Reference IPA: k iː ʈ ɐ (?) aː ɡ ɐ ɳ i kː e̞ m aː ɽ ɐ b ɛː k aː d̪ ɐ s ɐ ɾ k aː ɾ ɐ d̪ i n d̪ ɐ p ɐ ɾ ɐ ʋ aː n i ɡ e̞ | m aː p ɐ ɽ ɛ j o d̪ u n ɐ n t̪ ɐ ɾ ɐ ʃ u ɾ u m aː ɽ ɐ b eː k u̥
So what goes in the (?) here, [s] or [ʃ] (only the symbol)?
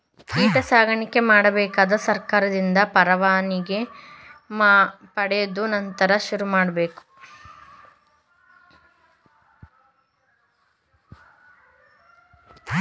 s